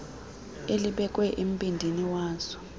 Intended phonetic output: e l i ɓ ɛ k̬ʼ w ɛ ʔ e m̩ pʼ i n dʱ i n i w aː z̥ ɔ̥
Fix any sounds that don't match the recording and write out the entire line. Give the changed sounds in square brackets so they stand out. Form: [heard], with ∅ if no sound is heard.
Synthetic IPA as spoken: e l i ɓ ɛ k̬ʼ w ɛ ʔ e m̩ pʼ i n dʱ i n i w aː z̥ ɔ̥